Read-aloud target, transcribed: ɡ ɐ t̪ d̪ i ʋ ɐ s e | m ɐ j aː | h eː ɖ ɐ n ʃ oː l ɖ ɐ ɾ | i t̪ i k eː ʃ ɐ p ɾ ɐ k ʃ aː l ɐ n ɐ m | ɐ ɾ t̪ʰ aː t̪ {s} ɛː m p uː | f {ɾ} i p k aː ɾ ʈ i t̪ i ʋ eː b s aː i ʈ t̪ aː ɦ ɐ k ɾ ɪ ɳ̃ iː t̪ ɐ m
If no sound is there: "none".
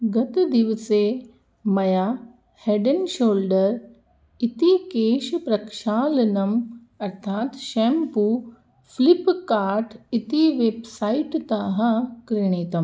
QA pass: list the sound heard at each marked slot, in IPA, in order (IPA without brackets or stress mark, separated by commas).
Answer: ʃ, l